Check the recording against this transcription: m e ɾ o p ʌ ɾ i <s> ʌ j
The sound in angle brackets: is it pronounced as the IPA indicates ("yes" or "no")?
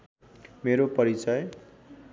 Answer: no